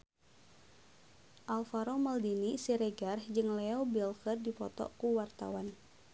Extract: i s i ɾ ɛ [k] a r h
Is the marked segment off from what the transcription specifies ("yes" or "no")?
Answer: yes